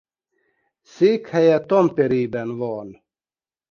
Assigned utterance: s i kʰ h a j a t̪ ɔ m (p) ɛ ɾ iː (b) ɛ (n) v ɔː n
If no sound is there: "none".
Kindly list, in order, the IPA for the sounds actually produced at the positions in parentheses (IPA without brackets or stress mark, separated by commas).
p, b, n